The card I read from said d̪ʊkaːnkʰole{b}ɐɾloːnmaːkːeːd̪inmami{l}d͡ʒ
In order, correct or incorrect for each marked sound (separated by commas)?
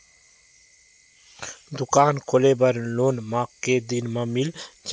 correct, correct